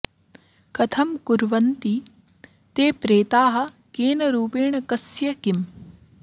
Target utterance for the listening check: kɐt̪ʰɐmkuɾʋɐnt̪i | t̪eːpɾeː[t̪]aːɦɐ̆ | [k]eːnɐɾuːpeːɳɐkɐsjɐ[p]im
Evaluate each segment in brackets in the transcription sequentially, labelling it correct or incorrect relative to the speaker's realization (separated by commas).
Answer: correct, correct, incorrect